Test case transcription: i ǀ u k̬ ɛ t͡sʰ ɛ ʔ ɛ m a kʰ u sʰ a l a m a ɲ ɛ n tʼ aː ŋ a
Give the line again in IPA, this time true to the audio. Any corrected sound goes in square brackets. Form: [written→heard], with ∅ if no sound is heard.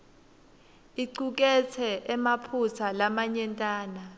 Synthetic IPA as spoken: i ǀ u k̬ ɛ t͡sʰ ɛ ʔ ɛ m a [kʰ→pʰ] u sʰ a l a m a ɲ ɛ n tʼ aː [ŋ→n] a